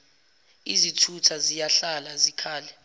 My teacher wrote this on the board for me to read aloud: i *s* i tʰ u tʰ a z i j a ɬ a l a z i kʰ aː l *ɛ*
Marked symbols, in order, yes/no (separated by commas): no, yes